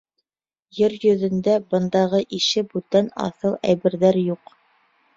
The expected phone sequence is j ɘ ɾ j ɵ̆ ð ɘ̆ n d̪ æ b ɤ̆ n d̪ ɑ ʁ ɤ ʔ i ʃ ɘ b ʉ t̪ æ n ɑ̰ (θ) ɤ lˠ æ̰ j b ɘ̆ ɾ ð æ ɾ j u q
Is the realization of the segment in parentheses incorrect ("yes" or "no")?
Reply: no